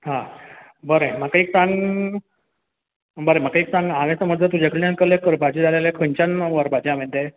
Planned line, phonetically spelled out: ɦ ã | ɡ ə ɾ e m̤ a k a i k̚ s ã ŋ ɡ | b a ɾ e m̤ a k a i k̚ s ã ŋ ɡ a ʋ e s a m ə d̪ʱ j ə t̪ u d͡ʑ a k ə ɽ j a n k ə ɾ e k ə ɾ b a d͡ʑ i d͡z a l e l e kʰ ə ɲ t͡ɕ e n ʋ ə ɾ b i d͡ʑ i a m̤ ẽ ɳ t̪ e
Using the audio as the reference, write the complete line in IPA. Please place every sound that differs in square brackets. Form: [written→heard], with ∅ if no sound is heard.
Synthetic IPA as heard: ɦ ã | [ɡ→b] ə ɾ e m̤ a k a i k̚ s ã ŋ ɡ | b [a→ə] ɾ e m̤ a k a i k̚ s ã ŋ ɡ a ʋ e s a m ə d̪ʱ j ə t̪ u d͡ʑ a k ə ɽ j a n k ə [ɾ→l] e k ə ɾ b a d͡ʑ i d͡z a l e l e kʰ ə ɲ t͡ɕ [e→a] n ʋ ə ɾ b [i→a] d͡ʑ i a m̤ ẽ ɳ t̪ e